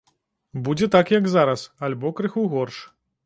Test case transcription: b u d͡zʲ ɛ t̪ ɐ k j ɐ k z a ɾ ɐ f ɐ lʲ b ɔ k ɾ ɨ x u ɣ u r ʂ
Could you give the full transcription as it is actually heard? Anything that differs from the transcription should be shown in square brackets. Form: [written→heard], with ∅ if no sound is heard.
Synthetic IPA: b u d͡zʲ ɛ t̪ [ɐ→a] k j ɐ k z a ɾ ɐ [f→s] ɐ lʲ b ɔ k ɾ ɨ x u ɣ [u→ɔ] r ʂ